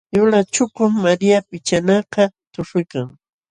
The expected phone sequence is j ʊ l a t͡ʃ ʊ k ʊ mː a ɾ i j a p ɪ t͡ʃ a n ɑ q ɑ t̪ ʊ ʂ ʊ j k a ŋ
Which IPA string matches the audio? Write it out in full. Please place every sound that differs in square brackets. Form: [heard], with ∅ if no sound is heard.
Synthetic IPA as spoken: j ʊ l a t͡ʃ ʊ k ʊ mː a ɾ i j a p ɪ t͡ʃ a n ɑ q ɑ t̪ ʊ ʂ ʊ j k a ŋ